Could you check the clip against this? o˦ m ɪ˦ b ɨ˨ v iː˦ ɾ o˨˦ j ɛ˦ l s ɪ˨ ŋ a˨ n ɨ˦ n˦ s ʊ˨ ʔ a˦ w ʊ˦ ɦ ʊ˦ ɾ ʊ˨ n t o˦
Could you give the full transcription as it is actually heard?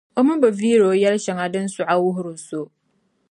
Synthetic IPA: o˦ m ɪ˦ b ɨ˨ v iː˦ ɾ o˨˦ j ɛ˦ l ʃ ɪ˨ ŋ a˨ d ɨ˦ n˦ s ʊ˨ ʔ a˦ w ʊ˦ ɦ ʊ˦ ɾ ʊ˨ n s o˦